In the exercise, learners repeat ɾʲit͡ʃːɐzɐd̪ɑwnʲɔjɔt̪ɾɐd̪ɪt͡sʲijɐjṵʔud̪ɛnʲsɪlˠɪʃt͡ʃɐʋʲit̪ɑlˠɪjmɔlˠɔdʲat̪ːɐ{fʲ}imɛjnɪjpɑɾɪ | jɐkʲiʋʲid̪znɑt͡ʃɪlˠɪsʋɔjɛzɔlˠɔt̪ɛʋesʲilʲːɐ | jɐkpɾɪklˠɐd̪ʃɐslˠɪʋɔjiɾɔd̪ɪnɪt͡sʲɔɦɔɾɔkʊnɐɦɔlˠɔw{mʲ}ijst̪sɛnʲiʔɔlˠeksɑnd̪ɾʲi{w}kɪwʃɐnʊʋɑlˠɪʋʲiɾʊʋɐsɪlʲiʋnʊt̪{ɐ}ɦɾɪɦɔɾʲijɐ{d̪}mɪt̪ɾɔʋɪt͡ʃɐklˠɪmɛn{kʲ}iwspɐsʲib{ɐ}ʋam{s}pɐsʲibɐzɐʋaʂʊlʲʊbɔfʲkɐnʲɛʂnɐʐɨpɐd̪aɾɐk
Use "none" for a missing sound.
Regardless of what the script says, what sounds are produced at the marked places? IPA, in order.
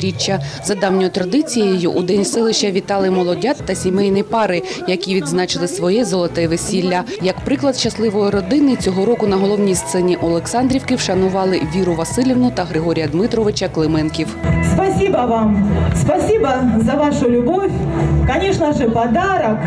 sʲ, nʲ, w, ɐ, d̪, kʲ, ɐ, s

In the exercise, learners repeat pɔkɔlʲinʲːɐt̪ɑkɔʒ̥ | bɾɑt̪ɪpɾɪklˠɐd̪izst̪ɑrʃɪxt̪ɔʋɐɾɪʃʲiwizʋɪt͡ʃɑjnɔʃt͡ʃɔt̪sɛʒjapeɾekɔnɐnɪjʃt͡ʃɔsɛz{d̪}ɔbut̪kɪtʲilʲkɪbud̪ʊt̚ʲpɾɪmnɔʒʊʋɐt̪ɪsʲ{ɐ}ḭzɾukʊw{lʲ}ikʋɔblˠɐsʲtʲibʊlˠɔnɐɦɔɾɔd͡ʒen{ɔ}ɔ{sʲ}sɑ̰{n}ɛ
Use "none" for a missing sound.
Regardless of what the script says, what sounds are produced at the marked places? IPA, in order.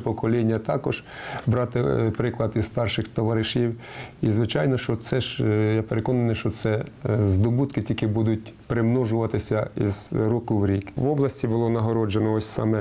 d̪, ɐ, ɾʲ, ɔ, sʲ, m

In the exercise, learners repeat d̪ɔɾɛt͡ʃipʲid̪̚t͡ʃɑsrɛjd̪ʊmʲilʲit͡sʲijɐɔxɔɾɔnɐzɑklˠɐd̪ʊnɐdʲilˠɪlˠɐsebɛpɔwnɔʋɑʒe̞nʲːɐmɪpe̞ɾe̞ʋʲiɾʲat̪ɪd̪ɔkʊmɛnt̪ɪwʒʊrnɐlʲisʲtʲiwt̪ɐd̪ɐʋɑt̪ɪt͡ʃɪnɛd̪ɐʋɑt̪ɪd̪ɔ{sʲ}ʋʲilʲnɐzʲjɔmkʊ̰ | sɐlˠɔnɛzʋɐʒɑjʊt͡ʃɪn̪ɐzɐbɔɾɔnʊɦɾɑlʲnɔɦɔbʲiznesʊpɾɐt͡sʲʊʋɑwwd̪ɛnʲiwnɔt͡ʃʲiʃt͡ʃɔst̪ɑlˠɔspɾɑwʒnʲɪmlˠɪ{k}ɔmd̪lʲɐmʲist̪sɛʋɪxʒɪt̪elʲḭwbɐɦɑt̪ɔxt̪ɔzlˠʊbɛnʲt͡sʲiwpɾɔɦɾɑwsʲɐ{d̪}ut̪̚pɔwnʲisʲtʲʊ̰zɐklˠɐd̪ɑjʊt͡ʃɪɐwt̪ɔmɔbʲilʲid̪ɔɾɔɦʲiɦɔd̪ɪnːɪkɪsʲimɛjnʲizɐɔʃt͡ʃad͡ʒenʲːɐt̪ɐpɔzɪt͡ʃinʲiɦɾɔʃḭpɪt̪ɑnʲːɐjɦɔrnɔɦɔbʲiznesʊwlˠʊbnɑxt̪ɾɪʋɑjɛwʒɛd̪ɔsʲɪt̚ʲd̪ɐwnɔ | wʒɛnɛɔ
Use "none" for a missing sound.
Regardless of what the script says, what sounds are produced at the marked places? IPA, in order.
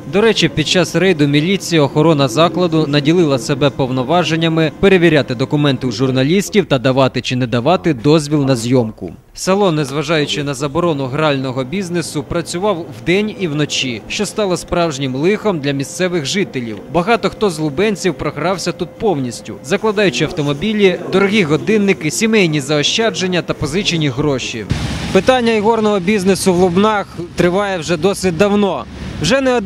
zʲ, x, t̪

